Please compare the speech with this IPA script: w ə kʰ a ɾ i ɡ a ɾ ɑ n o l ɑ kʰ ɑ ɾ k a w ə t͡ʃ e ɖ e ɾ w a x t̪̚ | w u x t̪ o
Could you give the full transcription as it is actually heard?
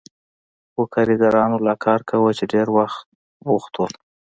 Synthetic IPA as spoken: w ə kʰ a ɾ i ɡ a ɾ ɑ n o l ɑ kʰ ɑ ɾ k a w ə t͡ʃ e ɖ e ɾ w a x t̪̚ | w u x t̪ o